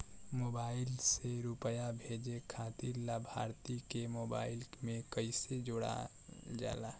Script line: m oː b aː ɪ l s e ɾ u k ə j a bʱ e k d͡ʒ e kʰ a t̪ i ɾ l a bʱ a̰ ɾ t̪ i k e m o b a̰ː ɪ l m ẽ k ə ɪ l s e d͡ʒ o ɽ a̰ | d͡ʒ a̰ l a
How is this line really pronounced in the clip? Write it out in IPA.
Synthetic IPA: m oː b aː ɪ l s e ɾ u p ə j a bʱ e d͡ʒ e kʰ a t̪ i ɾ l a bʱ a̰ ɾ t̪ i k e m o b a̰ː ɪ l m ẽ k ə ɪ s e d͡ʒ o ɽ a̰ | d͡ʒ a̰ l a